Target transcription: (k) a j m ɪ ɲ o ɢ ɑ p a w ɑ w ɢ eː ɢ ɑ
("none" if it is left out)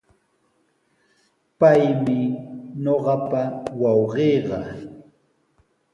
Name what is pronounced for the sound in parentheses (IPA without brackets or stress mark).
p